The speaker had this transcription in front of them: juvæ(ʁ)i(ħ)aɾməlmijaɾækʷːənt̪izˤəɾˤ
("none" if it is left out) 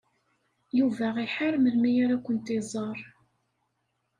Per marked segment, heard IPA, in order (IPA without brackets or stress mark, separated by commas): ʁ, ħ